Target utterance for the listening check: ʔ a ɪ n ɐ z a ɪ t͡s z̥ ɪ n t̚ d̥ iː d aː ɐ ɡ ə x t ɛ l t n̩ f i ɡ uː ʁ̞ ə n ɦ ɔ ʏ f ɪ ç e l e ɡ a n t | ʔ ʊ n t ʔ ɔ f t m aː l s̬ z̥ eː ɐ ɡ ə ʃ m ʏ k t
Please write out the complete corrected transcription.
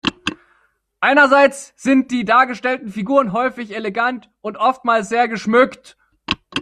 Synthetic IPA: ʔ a ɪ n ɐ z a ɪ t͡s z̥ ɪ n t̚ d̥ iː d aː ɐ ɡ ə ʃ t ɛ l t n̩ f i ɡ uː ʁ̞ ə n ɦ ɔ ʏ f ɪ ç e l e ɡ a n t | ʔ ʊ n t ʔ ɔ f t m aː l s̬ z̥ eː ɐ ɡ ə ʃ m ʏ k t